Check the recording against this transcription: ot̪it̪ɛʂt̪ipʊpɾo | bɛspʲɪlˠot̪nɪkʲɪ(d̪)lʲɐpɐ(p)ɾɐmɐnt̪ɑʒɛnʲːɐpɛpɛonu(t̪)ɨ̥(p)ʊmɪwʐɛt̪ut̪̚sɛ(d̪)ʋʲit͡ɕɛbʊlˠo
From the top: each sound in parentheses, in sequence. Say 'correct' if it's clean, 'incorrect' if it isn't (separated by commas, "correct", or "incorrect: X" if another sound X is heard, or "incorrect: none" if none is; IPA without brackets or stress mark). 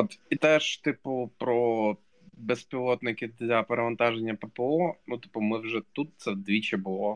correct, incorrect: none, correct, correct, correct